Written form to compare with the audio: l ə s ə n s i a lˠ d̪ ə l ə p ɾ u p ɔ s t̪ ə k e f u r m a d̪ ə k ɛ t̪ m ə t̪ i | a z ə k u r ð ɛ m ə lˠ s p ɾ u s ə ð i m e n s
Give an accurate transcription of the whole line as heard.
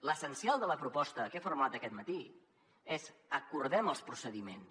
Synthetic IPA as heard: l ə s ə n s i a lˠ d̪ ə l ə p ɾ u p ɔ s t̪ ə k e f u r m a t̪ ə k ɛ t̪ m ə t̪ i | e z ə k u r ð ɛ m ə lˠ s p ɾ u s ə ð i m e n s